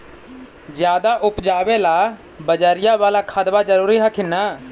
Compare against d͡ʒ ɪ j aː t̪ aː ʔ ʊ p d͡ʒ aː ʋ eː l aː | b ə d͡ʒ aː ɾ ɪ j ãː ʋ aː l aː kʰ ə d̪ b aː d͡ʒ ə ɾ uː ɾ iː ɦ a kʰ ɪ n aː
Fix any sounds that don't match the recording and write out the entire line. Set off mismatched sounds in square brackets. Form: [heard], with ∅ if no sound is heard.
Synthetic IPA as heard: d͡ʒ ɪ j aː [d̪] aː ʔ ʊ p d͡ʒ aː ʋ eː l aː | b ə d͡ʒ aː ɾ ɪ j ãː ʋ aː l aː kʰ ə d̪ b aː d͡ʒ ə ɾ uː ɾ iː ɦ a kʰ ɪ n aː